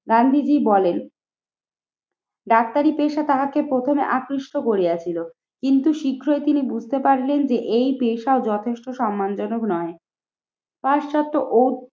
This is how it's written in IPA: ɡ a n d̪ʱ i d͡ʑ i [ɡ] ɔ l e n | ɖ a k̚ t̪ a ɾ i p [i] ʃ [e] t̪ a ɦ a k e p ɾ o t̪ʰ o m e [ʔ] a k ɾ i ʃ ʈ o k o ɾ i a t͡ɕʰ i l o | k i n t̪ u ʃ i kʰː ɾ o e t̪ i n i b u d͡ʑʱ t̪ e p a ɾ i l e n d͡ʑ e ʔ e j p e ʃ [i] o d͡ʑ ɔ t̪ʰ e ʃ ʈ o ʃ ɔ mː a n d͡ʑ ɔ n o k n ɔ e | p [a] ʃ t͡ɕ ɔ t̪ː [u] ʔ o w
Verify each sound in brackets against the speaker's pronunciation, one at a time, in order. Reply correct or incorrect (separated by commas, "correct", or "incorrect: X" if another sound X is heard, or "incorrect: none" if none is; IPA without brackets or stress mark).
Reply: incorrect: b, incorrect: e, incorrect: a, correct, incorrect: a, correct, incorrect: o